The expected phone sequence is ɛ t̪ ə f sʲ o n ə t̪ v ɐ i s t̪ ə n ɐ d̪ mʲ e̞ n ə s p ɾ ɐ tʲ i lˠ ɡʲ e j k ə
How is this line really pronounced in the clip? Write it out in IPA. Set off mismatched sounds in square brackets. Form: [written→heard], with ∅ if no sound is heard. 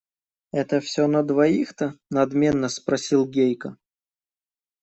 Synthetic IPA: ɛ t̪ ə f sʲ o n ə [t̪→d̪] v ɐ i [s→x] t̪ ə n ɐ d̪ mʲ e̞ [n→nː] ə s p ɾ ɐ [tʲ→sʲ] i lˠ ɡʲ e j k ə